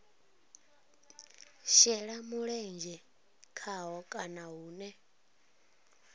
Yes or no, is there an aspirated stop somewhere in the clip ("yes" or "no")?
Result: yes